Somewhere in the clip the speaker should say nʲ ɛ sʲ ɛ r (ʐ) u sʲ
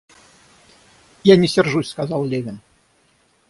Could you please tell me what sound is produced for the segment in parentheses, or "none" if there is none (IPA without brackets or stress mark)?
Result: ʐ